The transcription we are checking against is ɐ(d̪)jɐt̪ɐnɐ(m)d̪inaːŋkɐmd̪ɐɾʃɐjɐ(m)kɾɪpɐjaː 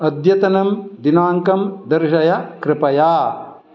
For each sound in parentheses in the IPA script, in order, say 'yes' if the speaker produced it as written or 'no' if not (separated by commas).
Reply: yes, yes, no